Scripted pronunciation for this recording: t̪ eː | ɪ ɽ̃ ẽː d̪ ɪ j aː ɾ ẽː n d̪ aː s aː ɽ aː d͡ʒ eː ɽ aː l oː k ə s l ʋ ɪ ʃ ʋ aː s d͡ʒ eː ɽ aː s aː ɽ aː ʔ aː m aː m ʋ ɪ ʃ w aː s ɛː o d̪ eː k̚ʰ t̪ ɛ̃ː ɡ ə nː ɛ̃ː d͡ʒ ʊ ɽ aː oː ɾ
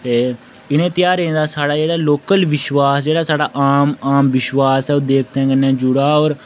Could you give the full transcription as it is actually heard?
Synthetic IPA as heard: t̪ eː | ɪ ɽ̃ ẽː t̪ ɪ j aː ɾ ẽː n d̪ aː s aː ɽ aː d͡ʒ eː ɽ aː l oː k ə l ʋ ɪ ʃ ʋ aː s d͡ʒ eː ɽ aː s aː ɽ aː ʔ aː m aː m ʋ ɪ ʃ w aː s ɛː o d̪ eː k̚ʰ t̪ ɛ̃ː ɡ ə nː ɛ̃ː d͡ʒ ʊ ɽ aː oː ɾ